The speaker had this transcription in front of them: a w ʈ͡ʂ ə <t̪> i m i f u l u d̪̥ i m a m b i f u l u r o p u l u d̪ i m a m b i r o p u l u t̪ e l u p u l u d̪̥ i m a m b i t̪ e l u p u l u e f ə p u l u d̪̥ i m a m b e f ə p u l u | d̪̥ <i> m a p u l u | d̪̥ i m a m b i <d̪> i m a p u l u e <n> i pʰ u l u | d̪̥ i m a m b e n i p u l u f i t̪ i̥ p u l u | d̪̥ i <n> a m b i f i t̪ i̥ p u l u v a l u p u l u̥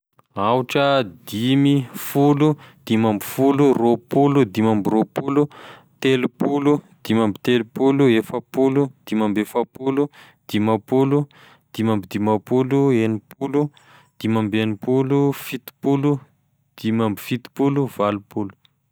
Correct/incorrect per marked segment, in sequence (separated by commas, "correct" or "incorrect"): incorrect, correct, correct, correct, incorrect